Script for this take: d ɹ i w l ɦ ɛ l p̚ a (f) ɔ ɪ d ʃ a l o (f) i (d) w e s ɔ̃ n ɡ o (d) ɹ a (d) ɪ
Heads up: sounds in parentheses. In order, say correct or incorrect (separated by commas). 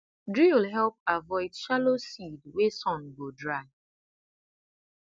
incorrect, incorrect, correct, correct, incorrect